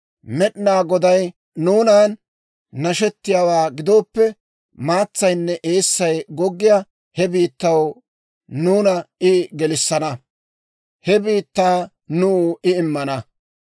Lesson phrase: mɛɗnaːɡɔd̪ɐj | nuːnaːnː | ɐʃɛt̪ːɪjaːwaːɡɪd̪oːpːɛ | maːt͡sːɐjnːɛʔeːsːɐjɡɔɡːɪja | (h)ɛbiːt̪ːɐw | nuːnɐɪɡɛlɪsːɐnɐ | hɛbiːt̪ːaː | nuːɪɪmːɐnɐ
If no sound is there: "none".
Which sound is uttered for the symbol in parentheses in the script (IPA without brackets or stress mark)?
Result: h